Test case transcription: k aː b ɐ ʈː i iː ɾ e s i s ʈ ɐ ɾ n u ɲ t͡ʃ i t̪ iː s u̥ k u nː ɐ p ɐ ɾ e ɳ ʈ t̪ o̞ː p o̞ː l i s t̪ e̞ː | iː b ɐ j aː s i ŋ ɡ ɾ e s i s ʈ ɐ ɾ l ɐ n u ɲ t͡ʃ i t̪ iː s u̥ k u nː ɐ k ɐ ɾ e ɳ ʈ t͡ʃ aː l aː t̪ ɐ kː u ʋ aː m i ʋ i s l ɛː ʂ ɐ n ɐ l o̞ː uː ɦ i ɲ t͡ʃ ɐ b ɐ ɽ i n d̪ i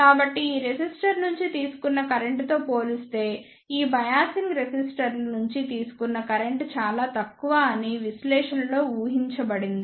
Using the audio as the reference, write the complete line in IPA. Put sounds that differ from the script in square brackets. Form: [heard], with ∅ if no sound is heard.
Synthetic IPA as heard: k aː b ɐ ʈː i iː ɾ e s i s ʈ ɐ ɾ n u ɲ t͡ʃ i t̪ iː s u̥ k u nː ɐ [k] ɐ ɾ e ɳ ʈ t̪ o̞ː p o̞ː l i s t̪ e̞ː | iː b ɐ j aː s i ŋ ɡ ɾ e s i s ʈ ɐ ɾ l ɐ n u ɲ t͡ʃ i t̪ iː s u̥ k u nː ɐ k ɐ ɾ e ɳ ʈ t͡ʃ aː l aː t̪ ɐ kː u ʋ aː [n] i ʋ i s l ɛː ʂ ɐ n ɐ l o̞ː uː ɦ i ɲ t͡ʃ ɐ b ɐ ɽ i n d̪ i